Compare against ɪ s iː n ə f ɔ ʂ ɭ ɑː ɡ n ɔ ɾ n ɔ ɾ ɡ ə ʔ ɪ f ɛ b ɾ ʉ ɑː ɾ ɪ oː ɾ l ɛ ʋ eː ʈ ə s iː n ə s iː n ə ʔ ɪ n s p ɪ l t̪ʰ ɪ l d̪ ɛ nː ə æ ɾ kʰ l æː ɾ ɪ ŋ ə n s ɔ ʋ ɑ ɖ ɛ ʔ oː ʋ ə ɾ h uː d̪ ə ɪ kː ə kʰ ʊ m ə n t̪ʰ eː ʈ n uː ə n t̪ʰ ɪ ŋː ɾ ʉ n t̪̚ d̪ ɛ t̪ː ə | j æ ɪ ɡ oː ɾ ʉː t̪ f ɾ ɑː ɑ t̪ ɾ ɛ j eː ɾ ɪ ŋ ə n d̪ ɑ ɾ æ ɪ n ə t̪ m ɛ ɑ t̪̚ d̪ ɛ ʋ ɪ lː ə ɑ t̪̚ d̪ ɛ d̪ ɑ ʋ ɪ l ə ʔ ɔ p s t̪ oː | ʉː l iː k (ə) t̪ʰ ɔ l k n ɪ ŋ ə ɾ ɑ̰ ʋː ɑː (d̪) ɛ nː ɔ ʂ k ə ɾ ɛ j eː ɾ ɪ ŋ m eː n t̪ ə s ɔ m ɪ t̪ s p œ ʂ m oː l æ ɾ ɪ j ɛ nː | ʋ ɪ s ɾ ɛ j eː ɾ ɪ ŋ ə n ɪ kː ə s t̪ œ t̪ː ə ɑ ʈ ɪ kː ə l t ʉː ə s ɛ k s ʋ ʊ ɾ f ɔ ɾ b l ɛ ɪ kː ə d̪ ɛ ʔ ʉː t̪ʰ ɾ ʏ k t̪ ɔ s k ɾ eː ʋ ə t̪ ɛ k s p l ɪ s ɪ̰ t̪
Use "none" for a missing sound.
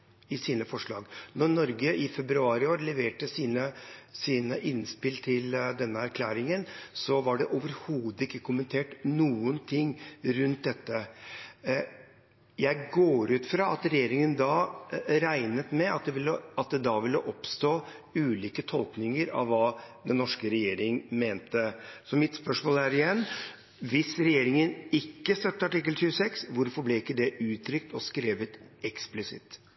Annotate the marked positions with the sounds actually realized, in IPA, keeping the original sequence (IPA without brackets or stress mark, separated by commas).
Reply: ə, d̪